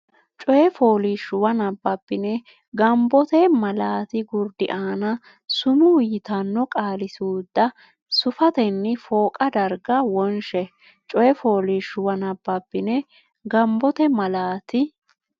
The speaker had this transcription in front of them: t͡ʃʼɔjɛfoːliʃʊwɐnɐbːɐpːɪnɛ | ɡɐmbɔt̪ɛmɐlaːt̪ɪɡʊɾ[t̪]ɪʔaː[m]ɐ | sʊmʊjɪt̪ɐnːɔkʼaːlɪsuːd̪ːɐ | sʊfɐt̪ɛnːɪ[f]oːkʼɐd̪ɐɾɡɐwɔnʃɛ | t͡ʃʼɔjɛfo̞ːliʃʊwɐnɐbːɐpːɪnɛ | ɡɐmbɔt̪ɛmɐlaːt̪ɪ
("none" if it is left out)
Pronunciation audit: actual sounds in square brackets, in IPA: d̪, n, f

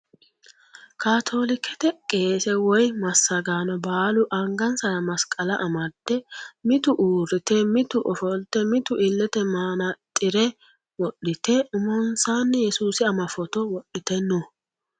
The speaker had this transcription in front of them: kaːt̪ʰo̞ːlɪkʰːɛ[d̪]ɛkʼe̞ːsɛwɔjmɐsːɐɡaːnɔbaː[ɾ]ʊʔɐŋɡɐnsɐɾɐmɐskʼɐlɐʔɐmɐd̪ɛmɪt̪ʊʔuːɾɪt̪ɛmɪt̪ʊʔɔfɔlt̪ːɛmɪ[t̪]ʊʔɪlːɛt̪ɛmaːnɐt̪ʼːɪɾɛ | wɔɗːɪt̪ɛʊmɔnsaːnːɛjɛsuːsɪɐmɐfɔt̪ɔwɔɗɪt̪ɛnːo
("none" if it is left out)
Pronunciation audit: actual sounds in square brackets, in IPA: t̪, l, t̪

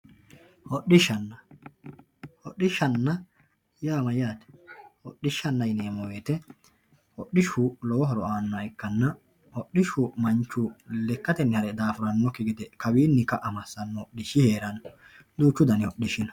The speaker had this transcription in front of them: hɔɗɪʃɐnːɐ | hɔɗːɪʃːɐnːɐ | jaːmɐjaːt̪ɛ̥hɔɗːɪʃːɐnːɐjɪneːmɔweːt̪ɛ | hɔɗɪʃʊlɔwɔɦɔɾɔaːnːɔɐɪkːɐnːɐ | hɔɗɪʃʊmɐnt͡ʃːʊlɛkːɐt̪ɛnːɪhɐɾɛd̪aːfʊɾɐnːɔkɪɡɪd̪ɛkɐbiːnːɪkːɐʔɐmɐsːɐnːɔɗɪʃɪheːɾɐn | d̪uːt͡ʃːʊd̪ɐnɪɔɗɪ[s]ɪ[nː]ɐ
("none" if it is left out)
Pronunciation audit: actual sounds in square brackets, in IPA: ʃ, n

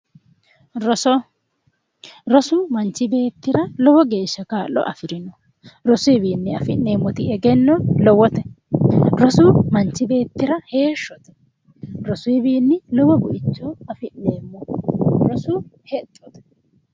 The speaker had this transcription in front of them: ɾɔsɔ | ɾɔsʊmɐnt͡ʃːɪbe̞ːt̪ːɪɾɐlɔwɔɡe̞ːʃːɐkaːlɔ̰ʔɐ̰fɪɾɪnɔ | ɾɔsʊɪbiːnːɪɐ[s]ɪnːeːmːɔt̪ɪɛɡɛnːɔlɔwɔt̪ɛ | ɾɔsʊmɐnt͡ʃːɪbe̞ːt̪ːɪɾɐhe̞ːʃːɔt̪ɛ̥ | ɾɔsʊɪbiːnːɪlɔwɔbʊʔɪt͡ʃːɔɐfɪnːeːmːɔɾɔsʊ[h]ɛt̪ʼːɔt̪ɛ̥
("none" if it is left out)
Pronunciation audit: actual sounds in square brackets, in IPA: f, h

